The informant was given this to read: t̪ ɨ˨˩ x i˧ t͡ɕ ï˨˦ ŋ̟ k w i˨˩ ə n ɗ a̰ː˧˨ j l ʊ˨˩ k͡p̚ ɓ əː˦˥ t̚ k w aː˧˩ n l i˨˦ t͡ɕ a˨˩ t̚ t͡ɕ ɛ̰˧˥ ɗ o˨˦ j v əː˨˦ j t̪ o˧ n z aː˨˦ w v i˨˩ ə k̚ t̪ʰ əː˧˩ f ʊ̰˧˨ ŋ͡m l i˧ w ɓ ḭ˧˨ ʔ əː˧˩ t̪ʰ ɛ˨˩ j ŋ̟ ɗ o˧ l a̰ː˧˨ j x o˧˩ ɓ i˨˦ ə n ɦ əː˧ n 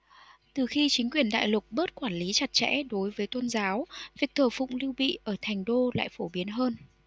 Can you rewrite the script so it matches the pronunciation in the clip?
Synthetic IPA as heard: t̪ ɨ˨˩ x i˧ t͡ɕ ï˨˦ ŋ̟ k w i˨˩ ə n ɗ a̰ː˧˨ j l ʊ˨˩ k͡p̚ ɓ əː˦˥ t̚ k w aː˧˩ n l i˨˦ t͡ɕ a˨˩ t̚ t͡ɕ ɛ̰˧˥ ɗ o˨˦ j v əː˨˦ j t̪ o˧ n z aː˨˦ w v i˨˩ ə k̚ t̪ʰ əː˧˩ f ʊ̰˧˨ ŋ͡m l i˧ w ɓ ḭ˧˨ ʔ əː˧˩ t̪ʰ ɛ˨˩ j ŋ̟ ɗ o˧ l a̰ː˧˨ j f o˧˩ ɓ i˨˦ ə n ɦ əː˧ n